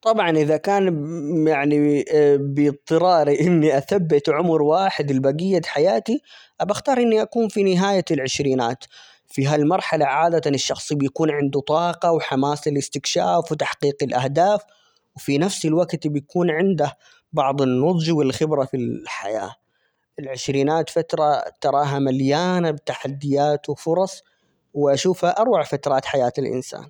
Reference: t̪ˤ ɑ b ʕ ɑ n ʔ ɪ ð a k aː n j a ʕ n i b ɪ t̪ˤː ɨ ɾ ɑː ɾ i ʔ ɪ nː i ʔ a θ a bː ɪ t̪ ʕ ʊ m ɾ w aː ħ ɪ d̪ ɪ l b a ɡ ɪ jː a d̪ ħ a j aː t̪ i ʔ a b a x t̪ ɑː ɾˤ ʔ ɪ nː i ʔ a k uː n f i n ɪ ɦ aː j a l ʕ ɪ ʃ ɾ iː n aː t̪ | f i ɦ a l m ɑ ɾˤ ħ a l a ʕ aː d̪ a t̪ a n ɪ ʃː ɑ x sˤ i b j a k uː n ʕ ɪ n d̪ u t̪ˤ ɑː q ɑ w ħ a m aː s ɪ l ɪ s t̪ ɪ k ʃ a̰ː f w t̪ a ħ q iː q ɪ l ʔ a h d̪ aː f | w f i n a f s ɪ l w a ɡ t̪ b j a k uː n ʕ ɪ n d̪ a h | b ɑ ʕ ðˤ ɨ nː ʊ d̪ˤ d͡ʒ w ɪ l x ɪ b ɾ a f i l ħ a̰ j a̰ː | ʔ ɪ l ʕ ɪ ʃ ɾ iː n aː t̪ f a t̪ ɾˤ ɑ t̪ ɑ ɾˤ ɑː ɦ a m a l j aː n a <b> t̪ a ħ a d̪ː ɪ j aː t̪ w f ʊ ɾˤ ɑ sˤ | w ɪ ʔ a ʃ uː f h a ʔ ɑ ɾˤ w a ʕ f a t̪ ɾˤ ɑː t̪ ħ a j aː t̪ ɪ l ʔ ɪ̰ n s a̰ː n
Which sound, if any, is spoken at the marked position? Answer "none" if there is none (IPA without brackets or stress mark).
b